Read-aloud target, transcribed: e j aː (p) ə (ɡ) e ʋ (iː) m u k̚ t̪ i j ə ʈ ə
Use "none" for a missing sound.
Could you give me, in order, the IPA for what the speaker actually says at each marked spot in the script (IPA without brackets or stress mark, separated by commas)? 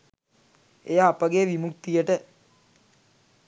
p, ɡ, i